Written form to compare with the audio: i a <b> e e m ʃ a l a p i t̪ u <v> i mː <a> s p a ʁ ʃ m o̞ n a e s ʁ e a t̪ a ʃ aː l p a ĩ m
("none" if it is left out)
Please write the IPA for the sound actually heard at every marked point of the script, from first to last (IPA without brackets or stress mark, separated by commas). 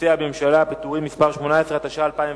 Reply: b, ʁ, i